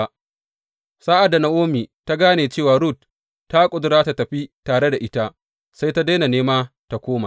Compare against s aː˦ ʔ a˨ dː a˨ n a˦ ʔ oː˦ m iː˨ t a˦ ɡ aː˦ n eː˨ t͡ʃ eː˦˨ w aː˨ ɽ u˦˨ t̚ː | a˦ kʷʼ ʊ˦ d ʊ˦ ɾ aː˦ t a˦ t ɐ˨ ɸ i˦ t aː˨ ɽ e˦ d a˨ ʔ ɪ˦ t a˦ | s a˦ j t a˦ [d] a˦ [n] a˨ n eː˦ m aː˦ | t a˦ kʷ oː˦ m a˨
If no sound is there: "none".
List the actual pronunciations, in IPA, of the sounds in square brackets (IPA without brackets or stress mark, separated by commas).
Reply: d, n